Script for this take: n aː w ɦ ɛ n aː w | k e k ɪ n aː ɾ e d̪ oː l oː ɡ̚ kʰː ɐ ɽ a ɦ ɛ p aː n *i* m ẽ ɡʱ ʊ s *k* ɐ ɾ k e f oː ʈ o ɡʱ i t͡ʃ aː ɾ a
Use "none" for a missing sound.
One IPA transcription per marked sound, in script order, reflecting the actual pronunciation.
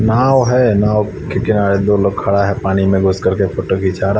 i, k

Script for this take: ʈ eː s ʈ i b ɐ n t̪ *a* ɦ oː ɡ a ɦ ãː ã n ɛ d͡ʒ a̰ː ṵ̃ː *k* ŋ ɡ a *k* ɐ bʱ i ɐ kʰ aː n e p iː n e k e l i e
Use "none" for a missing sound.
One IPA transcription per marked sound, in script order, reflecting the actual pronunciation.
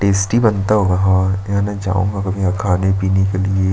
a, none, k

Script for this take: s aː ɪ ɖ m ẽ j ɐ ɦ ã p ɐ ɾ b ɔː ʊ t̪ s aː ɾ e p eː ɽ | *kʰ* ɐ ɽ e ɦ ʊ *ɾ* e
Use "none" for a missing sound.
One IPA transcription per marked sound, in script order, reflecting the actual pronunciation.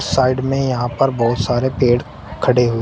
kʰ, none

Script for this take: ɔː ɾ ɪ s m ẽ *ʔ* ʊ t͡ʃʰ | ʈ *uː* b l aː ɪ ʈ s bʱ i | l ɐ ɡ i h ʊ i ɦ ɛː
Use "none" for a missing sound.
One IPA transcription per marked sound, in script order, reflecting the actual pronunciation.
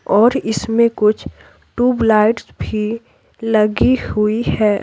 k, uː

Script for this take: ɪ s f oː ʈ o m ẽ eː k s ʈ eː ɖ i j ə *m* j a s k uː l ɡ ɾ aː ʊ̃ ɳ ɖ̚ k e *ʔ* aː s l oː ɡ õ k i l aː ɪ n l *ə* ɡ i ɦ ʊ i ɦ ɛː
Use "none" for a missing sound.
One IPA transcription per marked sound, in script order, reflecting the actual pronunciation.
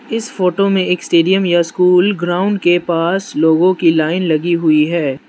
m, p, ɐ

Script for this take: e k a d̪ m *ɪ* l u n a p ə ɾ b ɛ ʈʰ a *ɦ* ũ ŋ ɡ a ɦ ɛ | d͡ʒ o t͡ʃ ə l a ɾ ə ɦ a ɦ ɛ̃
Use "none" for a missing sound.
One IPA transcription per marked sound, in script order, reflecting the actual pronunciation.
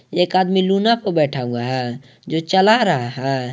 i, none

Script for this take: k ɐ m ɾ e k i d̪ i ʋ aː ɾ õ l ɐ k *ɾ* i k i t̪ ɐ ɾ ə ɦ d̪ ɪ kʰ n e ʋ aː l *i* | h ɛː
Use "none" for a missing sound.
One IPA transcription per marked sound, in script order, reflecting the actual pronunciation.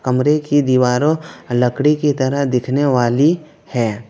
ɽ, i

